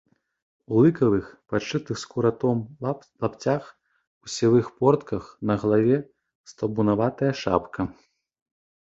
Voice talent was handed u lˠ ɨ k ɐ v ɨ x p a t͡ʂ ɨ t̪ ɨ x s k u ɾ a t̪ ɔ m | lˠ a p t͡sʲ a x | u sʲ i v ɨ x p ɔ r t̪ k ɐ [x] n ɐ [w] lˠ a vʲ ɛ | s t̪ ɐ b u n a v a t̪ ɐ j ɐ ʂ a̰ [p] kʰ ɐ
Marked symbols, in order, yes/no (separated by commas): yes, no, yes